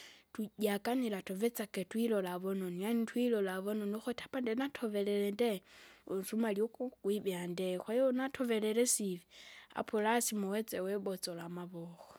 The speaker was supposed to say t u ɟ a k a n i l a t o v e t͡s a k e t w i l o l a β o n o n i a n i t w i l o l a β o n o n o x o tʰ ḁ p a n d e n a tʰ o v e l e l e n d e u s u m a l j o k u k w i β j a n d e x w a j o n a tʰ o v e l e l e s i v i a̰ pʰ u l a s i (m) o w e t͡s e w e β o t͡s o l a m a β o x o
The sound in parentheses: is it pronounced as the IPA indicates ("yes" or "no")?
yes